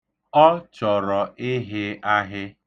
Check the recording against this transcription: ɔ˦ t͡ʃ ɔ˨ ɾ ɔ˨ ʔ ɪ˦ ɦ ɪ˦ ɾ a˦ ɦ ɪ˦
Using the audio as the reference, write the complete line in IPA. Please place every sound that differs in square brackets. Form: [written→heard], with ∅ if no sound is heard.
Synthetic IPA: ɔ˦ t͡ʃ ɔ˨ ɾ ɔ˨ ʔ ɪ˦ ɦ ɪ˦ [ɾ→∅] a˦ ɦ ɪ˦